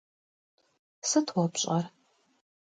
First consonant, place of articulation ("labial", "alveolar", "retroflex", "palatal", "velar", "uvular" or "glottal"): alveolar